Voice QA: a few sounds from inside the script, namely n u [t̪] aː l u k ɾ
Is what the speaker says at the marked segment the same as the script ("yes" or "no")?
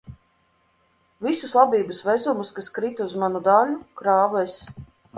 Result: no